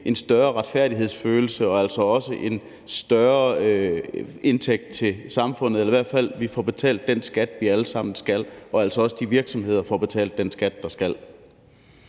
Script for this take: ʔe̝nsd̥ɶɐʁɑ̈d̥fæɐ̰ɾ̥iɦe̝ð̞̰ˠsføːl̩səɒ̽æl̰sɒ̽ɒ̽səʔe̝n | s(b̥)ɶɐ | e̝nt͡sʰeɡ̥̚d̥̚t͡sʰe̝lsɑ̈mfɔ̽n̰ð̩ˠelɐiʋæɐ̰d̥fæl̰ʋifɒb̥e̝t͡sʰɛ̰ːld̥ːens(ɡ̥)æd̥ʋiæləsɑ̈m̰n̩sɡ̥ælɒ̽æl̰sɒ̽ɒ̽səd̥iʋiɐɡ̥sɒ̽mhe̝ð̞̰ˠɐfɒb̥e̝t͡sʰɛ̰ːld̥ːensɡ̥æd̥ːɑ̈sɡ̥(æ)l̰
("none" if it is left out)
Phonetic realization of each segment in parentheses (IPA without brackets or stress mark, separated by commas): d̥, ɡ̥, æ